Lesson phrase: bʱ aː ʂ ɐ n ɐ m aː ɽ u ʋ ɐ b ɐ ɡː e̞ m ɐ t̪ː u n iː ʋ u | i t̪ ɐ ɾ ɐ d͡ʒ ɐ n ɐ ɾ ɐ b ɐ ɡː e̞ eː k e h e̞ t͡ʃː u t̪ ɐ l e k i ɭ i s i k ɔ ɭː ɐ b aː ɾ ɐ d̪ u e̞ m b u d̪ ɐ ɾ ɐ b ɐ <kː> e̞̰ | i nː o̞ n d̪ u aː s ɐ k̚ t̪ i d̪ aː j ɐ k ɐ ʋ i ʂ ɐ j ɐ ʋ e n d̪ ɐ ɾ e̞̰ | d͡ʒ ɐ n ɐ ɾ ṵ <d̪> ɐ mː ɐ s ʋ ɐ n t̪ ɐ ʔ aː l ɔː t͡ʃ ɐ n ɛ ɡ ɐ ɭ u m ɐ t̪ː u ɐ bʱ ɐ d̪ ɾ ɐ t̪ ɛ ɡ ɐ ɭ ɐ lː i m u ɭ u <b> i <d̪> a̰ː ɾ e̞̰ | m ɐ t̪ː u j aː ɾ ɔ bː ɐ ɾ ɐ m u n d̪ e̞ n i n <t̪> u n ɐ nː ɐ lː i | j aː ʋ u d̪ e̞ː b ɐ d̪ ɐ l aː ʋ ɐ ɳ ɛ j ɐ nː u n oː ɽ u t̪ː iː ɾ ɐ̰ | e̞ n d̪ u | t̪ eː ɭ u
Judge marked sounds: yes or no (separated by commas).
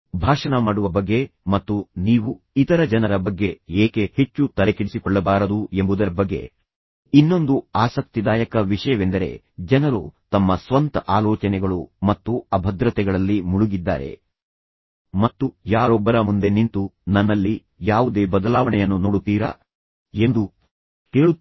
no, no, no, no, yes